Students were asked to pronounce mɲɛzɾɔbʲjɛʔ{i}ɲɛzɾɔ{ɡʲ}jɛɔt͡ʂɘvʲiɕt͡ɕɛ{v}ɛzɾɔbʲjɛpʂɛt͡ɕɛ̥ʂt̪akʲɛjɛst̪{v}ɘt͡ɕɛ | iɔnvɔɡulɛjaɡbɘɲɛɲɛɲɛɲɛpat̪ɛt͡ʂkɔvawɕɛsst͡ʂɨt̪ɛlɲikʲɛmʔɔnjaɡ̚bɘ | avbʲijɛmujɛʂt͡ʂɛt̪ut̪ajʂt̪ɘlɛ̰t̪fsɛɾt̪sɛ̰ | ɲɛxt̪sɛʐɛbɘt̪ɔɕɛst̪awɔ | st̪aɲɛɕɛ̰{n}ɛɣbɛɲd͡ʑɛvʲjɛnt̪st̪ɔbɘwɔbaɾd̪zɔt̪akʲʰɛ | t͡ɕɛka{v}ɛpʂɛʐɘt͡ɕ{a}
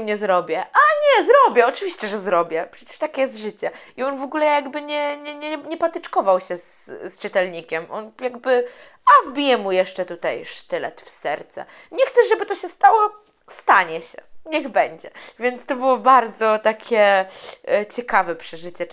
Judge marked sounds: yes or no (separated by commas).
no, no, no, no, no, yes, no